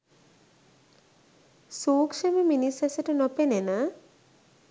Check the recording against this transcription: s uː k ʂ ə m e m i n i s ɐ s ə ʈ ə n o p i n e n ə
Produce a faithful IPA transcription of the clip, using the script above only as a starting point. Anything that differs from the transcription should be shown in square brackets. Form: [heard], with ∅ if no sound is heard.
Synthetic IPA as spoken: s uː k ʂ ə m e m i n i s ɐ s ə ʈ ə n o p [e] n e n [a]